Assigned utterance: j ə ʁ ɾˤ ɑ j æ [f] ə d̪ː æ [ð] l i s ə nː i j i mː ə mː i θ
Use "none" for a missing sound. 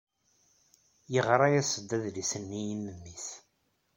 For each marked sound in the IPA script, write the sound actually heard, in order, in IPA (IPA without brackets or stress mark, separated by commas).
s, ð